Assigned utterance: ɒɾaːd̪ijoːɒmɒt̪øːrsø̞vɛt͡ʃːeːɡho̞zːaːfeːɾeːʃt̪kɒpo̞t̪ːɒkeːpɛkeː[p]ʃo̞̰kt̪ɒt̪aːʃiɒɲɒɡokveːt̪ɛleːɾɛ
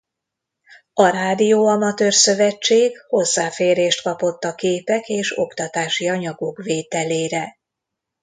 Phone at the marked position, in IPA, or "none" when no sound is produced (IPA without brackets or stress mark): none